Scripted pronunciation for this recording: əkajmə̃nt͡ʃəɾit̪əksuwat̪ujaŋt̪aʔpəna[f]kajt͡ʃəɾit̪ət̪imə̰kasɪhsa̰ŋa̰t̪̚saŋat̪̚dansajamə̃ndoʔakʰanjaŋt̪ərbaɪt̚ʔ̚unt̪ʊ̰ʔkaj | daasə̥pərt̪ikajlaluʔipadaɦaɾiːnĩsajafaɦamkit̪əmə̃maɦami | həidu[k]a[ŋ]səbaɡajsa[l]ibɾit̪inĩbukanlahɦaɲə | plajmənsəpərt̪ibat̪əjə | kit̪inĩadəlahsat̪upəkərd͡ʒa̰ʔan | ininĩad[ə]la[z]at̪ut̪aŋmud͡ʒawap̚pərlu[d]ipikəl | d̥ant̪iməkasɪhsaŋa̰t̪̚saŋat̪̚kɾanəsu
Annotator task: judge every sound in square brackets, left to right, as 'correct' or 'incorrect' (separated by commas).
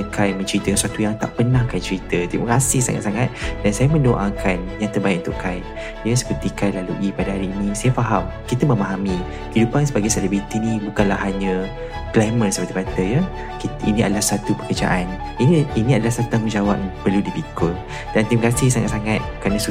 incorrect, incorrect, incorrect, correct, correct, incorrect, correct